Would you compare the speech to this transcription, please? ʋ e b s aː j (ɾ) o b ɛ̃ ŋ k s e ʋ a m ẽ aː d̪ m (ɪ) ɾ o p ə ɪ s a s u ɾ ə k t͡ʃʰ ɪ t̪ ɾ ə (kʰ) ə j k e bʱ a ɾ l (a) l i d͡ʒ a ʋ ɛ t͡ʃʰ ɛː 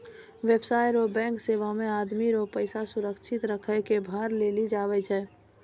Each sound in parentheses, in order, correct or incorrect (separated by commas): correct, incorrect, correct, incorrect